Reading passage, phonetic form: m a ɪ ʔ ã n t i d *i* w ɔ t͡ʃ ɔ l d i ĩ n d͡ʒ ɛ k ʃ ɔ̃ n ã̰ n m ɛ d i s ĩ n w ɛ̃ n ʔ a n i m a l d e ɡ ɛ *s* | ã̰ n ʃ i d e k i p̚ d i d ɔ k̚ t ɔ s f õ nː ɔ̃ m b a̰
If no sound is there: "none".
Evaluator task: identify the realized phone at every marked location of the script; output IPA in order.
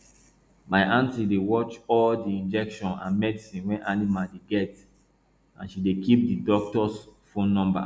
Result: e, t

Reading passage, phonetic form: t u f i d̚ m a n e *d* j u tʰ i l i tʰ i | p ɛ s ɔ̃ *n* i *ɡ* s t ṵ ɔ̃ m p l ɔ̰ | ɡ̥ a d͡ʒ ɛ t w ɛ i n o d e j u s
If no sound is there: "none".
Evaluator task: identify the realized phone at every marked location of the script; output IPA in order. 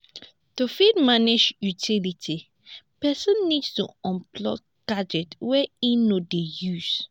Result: d͡ʒ, nː, d

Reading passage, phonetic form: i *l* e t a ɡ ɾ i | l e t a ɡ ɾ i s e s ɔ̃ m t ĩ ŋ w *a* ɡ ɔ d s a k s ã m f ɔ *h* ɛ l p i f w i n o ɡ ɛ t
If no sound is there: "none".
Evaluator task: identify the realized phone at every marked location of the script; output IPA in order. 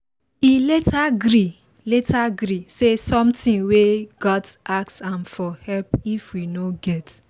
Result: l, e, h

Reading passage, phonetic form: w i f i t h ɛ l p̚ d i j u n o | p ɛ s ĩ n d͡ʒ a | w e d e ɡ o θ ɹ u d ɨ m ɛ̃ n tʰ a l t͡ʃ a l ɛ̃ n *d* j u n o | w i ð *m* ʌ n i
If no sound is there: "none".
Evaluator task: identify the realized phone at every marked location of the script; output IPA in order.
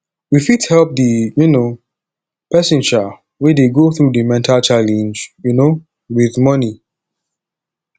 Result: d͡ʒ, m

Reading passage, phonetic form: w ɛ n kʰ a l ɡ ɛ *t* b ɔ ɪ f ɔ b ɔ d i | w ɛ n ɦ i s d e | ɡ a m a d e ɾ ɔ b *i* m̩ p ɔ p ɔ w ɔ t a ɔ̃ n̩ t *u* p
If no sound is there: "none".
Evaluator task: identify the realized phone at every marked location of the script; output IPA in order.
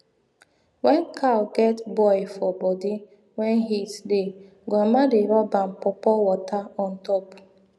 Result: t, a, ɔ

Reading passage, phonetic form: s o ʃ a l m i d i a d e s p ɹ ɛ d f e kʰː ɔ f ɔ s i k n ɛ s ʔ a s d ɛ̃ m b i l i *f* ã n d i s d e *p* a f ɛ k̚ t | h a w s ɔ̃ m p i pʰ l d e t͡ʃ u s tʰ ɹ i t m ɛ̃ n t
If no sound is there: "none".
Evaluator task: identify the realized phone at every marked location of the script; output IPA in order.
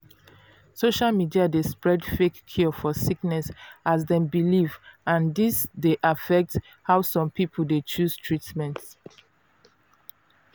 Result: v, ʔ

